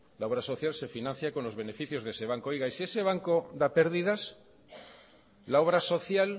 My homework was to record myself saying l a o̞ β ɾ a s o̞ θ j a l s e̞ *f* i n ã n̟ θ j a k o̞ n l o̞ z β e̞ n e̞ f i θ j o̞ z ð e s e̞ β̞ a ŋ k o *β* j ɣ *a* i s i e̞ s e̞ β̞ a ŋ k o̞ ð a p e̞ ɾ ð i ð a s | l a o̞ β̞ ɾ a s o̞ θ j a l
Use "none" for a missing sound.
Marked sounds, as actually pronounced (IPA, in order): f, none, a

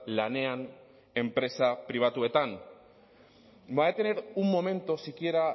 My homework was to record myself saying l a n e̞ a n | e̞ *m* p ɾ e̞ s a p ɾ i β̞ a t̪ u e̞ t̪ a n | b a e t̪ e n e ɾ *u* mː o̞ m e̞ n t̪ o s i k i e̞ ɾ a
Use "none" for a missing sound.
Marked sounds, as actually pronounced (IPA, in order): m, u

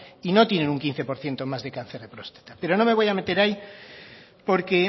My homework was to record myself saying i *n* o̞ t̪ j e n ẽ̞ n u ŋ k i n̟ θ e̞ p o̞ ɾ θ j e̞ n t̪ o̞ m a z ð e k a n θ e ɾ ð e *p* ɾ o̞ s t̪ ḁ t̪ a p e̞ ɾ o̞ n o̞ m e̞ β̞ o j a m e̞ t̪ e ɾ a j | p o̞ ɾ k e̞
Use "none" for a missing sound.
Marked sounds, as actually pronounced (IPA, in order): n, p

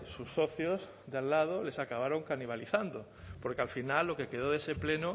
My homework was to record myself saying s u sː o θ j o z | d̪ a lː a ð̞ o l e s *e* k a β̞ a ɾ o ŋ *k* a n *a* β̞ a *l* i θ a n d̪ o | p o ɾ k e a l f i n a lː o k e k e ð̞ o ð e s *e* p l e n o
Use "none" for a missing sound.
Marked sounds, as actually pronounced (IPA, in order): a, k, i, l, e

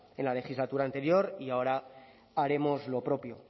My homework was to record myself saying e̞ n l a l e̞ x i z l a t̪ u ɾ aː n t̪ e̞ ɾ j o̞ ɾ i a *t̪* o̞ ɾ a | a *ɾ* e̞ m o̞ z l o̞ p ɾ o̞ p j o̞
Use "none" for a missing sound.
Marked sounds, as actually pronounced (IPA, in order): none, ɾ

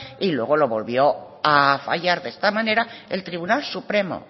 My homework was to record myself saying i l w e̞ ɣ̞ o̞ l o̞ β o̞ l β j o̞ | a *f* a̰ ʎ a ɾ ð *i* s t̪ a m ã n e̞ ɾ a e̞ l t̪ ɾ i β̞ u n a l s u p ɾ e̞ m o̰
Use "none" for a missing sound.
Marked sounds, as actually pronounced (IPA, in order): f, e

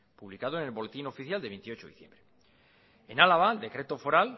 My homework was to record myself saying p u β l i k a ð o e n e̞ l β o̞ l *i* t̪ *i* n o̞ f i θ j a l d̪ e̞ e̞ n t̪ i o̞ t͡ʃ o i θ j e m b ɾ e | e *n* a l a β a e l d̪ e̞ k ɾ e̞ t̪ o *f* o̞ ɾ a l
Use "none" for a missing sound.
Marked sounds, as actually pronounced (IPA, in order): e, i, n, f

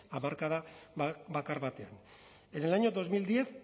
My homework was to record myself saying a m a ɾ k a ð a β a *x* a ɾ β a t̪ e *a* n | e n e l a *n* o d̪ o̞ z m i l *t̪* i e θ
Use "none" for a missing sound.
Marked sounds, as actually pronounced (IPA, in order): k, a, ɲ, d̪

